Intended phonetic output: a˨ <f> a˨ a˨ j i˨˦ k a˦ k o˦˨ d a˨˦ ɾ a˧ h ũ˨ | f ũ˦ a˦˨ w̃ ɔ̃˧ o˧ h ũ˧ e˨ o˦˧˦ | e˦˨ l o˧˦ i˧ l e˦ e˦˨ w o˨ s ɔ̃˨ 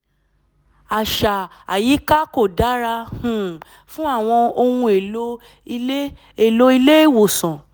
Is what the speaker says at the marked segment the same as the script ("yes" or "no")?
no